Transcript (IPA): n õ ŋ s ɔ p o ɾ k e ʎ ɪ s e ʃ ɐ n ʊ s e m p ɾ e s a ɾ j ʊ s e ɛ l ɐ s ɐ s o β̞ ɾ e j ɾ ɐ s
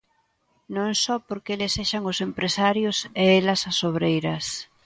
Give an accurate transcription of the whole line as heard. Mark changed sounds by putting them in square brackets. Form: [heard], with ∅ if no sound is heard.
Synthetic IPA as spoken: n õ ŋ s ɔ p o ɾ k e [l] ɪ s e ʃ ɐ [ŋ] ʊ s e m p ɾ e s a ɾ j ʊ s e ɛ l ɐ s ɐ s o β̞ ɾ e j ɾ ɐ s